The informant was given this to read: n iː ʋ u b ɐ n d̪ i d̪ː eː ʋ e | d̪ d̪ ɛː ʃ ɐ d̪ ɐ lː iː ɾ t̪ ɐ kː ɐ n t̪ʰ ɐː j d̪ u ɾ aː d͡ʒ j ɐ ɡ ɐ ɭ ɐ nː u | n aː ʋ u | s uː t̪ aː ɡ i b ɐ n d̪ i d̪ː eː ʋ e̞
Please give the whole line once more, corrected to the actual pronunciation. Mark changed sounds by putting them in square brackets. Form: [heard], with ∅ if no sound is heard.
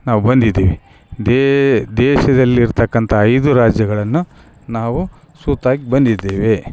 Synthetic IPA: n [aː] ʋ u b ɐ n d̪ i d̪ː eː ʋ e | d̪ d̪ ɛː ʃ ɐ d̪ ɐ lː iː ɾ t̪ ɐ kː ɐ n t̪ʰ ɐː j d̪ u ɾ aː d͡ʒ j ɐ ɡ ɐ ɭ ɐ nː u | n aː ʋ u | s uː t̪ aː ɡ i b ɐ n d̪ i d̪ː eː ʋ e̞